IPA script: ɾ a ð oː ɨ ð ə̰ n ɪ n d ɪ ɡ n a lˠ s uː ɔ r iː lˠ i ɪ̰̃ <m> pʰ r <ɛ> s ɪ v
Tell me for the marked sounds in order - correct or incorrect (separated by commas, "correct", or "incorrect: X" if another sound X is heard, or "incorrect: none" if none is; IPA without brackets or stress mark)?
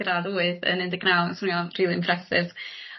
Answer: correct, correct